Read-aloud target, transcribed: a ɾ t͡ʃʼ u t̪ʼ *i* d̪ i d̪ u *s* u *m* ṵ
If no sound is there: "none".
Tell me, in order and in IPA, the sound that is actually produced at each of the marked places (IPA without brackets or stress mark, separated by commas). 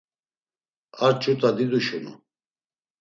a, ʃ, n